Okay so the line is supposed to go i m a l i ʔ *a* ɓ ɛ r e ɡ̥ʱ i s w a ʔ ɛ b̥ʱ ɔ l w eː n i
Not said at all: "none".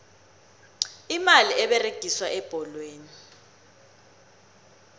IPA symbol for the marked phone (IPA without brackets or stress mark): ɛ